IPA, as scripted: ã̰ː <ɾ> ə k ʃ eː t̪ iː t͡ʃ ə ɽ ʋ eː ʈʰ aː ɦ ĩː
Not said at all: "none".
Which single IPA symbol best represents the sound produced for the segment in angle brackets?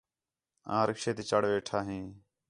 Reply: ɾ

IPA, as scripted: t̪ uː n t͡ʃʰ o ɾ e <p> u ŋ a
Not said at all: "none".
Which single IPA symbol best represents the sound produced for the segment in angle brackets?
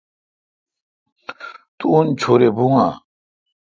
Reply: b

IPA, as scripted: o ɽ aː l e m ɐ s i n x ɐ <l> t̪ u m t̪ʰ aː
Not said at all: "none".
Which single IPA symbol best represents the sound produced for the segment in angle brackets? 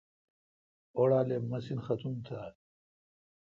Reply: none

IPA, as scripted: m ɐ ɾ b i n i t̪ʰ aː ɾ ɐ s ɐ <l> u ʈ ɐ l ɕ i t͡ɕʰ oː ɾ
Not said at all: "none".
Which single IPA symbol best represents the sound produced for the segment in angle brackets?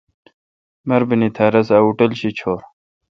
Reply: none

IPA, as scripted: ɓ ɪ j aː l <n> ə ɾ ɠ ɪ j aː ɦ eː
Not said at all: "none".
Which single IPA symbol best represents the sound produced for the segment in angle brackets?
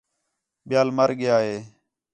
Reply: m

